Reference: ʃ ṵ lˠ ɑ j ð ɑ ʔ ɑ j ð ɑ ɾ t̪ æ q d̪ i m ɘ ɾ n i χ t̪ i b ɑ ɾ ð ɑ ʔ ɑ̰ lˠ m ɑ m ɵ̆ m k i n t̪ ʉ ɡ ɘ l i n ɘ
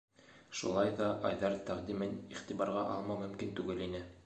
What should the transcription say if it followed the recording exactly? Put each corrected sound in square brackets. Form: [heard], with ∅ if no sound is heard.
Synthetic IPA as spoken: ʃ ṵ lˠ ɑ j ð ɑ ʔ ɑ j ð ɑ ɾ t̪ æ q d̪ i m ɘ [∅] n i χ t̪ i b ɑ ɾ [ʁ] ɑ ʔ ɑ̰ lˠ m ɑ m ɵ̆ m k i n t̪ ʉ ɡ ɘ l i n ɘ